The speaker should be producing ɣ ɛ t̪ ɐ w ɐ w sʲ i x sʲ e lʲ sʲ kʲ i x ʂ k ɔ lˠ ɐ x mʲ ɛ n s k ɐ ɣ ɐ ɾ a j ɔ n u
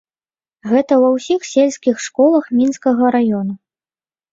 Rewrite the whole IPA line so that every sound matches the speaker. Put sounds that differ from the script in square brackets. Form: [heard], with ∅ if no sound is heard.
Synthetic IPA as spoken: ɣ ɛ t̪ ɐ w ɐ w sʲ i x sʲ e lʲ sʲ kʲ i x ʂ k ɔ lˠ ɐ x mʲ [i] n s k ɐ ɣ ɐ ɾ a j ɔ n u